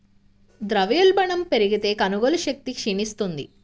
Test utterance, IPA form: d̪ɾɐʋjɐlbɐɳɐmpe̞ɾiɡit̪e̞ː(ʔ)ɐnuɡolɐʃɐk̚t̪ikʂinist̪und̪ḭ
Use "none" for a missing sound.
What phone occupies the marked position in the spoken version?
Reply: k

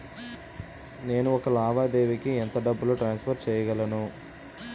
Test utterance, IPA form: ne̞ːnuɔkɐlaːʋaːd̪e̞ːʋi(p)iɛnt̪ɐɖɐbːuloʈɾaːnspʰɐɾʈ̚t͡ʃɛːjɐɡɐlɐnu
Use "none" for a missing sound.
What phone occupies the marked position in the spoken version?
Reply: k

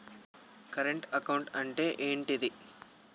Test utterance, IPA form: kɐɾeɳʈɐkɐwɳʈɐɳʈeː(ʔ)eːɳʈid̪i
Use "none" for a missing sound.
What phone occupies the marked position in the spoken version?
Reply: ʔ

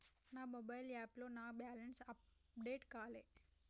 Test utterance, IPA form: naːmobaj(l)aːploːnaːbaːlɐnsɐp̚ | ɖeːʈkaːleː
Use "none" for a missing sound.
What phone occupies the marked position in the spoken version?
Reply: l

